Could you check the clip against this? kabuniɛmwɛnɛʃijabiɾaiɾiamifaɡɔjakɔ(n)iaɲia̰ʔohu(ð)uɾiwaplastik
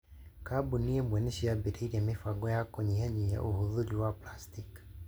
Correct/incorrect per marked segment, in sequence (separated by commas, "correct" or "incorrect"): incorrect, correct